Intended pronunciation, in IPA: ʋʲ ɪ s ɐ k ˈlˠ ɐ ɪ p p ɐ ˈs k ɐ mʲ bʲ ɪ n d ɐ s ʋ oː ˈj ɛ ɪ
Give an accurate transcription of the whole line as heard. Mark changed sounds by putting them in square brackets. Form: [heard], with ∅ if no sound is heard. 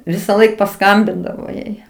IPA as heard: ʋʲ ɪ s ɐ [∅] ˈlˠ ɐ ɪ [k] p ɐ ˈs k ɐ mʲ bʲ ɪ n d ɐ [∅] ʋ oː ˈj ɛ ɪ